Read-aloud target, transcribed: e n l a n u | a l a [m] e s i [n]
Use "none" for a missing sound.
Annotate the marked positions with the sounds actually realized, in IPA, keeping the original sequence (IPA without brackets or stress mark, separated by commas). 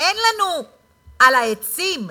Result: none, m